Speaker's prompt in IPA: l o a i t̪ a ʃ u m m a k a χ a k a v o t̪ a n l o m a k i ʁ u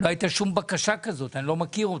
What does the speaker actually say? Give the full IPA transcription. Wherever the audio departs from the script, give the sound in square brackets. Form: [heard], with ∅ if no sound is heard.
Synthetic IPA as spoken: l o a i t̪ a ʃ u m [b] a k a [ʃ] a k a [z] o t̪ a n l o m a k i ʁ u